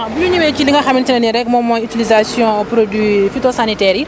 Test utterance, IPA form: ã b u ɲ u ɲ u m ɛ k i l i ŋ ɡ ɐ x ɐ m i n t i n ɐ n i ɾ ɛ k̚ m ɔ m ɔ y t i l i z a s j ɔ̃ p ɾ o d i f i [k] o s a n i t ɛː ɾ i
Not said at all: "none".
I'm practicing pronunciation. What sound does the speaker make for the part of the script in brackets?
t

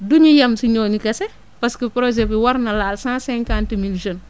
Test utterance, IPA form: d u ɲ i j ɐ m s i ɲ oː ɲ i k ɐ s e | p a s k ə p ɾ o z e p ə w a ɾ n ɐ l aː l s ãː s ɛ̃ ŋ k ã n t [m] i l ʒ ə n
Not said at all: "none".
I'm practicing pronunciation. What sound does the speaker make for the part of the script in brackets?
m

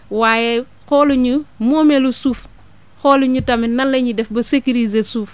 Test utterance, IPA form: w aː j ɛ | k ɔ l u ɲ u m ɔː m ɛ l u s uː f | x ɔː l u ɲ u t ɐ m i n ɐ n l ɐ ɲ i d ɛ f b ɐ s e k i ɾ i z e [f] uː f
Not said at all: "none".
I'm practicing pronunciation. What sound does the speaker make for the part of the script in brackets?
s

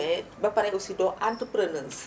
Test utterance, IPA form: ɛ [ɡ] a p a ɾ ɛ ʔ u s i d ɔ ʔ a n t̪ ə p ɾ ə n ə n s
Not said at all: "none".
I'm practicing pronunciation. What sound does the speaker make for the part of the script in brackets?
b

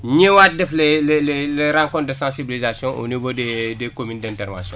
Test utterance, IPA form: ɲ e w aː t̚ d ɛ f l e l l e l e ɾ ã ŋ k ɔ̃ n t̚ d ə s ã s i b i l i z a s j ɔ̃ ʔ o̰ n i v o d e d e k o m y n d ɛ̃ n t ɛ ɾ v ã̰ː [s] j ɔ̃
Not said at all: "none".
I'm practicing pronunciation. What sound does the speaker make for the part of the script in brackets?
s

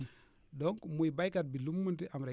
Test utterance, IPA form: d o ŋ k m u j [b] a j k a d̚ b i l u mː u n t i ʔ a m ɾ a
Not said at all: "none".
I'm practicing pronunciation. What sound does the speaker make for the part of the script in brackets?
b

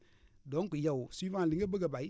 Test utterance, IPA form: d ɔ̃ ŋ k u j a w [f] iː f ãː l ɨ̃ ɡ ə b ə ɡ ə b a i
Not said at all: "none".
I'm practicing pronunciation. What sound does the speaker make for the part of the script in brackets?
s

